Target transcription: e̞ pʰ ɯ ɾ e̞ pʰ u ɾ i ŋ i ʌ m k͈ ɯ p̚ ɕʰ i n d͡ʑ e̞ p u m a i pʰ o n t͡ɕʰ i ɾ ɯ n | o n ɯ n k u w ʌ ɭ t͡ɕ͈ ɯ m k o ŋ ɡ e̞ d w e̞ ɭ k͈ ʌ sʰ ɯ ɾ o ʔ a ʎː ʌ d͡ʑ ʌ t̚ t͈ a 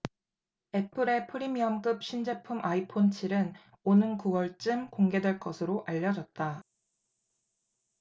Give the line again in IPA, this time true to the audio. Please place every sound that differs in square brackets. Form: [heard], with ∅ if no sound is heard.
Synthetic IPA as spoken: e̞ pʰ ɯ ɾ e̞ pʰ [ɯ] ɾ i [m] i ʌ m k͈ ɯ p̚ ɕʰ i n d͡ʑ e̞ [pʰ] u m a i pʰ o n t͡ɕʰ i ɾ ɯ n | o n ɯ n k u w ʌ ɭ t͡ɕ͈ ɯ m k o ŋ ɡ e̞ d w e̞ ɭ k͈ ʌ sʰ ɯ ɾ o ʔ a ʎː ʌ d͡ʑ ʌ t̚ t͈ a